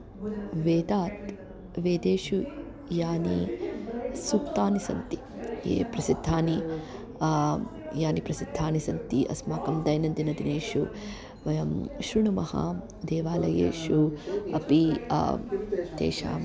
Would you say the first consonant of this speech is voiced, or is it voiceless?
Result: voiced